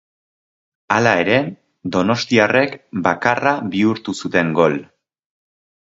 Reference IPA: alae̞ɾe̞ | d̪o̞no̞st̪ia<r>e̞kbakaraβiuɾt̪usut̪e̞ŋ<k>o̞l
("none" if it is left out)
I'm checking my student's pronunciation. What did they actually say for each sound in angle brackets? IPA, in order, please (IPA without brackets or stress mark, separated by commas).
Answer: r, ɡ